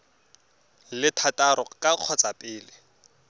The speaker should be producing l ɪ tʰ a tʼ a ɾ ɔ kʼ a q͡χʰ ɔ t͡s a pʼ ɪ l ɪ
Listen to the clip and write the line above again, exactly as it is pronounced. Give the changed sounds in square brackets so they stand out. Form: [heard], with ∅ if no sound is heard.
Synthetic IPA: l ɪ tʰ a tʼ a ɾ ɔ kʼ a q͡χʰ ɔ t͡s a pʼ [ɪː] l ɪ